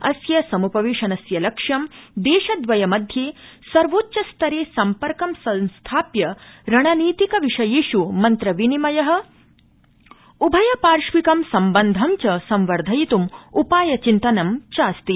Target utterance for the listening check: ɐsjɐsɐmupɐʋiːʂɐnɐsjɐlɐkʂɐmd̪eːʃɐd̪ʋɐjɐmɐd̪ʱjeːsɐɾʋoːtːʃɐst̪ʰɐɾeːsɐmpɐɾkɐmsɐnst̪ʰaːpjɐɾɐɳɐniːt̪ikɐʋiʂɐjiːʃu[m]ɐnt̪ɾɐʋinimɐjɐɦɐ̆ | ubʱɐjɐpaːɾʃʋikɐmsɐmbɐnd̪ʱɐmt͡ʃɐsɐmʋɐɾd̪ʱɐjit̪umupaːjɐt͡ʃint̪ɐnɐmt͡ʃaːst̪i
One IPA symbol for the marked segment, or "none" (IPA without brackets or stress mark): m